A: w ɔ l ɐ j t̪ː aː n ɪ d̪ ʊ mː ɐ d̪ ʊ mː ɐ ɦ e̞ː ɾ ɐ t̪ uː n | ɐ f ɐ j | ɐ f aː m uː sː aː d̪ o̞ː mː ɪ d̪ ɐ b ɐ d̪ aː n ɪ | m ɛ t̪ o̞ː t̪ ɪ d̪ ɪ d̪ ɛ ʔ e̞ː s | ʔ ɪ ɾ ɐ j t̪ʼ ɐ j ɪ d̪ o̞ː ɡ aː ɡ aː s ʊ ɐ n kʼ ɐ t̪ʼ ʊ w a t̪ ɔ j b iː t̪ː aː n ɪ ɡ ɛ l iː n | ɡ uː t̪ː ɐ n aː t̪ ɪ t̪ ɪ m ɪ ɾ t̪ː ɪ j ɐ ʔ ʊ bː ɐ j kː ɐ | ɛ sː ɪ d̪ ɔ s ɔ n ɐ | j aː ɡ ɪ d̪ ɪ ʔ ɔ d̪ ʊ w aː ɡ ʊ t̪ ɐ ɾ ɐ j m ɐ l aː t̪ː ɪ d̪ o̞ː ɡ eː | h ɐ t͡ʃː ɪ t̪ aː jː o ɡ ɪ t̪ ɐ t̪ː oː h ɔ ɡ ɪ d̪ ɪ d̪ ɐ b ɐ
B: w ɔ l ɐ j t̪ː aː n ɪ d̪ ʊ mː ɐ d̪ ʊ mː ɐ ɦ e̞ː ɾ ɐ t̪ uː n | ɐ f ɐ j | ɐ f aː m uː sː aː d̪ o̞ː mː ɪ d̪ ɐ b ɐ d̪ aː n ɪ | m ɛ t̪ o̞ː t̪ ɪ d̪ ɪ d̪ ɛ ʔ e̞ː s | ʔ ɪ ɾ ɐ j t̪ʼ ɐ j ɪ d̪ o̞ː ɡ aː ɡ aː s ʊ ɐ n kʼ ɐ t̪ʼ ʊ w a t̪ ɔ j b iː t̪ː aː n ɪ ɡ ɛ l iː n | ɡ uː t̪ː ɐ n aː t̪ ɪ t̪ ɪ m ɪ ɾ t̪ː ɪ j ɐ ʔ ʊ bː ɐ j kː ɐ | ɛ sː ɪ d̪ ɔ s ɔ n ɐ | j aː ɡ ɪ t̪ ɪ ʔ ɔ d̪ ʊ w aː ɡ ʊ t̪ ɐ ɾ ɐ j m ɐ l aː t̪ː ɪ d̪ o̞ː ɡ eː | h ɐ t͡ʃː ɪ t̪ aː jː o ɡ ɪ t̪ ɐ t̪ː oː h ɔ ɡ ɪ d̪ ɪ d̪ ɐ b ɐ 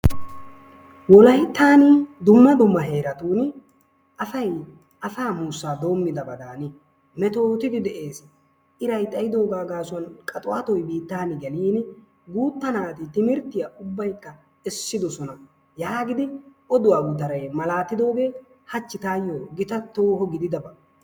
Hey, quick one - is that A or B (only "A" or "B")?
A